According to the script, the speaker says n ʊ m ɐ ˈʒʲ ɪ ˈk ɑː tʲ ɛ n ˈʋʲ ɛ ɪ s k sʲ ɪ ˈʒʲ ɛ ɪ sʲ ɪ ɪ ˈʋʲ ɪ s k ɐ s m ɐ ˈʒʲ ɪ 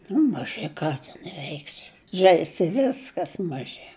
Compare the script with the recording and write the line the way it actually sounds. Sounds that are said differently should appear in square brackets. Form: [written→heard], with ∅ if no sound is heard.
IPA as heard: n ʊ m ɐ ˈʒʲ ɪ ˈk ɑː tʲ ɛ n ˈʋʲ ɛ ɪ [s→∅] k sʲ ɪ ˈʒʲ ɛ ɪ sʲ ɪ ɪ ˈʋʲ ɪ s k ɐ s m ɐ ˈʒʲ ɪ